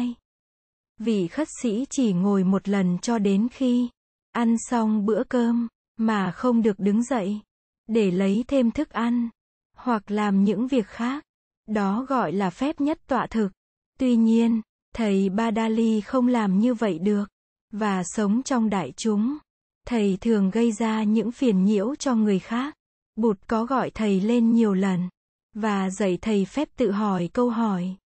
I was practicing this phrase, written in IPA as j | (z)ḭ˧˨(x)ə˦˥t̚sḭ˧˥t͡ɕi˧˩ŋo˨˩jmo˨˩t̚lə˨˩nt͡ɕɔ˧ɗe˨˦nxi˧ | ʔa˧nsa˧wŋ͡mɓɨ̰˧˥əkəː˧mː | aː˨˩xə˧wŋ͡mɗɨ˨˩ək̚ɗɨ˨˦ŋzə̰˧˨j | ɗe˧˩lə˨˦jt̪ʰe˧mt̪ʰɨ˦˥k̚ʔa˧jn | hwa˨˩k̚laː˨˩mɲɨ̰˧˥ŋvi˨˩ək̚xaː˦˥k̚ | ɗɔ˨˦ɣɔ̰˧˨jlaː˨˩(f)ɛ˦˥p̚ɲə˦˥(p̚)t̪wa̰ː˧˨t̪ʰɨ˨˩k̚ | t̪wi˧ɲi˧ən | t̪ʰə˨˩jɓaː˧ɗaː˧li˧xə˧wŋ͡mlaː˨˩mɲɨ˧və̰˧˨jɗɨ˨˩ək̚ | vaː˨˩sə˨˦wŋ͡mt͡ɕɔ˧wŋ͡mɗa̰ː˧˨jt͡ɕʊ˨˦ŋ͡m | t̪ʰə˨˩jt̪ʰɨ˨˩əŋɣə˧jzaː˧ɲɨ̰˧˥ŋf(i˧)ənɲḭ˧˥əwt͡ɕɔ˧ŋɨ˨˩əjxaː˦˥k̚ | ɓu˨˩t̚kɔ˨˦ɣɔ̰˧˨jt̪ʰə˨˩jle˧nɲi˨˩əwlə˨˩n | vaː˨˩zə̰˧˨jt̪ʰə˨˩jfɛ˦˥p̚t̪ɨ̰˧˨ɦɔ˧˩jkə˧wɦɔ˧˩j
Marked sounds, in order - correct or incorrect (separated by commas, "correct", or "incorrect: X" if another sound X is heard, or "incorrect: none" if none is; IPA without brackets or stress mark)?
incorrect: v, correct, correct, incorrect: t̚, incorrect: i˨˩